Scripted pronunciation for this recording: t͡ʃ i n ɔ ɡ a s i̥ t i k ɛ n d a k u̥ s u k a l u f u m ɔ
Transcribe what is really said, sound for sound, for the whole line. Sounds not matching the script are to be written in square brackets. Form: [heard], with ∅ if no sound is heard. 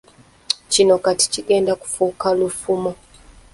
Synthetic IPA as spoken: t͡ʃ i n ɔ [k] a [t] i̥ [t͡ʃ] i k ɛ n d a k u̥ [f] u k a l u f u m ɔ